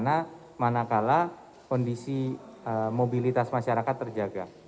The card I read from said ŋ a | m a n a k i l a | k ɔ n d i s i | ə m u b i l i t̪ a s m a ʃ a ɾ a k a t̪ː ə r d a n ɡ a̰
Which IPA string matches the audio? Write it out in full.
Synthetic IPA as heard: n a | m a n a k a l a | k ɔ n d i s i | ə m o b i l i t̪ a s m a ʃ a ɾ a k a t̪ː ə r d͡ʒ a ɡ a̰